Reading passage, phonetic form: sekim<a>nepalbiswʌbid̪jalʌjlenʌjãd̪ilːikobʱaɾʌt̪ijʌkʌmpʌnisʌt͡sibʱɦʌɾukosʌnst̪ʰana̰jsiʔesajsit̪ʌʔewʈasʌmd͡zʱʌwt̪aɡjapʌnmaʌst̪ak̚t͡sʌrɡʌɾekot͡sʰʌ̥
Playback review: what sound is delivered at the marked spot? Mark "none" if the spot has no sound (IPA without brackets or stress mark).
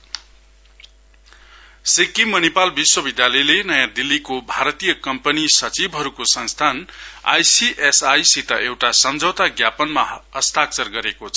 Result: ʌ